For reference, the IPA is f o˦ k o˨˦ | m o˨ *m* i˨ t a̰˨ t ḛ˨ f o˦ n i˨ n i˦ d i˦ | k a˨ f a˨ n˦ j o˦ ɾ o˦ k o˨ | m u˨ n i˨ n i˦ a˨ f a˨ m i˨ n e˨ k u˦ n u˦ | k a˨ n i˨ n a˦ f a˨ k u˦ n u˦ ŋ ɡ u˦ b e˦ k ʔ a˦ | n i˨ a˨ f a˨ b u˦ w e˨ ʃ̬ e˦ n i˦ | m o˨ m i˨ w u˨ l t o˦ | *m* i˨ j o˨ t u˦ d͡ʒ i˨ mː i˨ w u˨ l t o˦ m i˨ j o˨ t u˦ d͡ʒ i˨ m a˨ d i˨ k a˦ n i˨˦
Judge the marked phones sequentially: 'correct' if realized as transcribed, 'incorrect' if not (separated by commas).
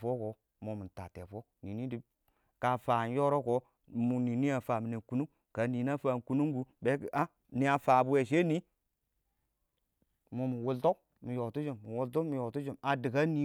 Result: correct, correct